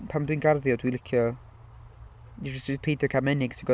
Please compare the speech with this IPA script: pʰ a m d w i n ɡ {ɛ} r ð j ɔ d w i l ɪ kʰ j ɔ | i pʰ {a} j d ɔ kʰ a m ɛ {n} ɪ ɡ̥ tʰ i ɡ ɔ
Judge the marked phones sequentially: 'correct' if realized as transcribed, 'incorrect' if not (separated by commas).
incorrect, incorrect, correct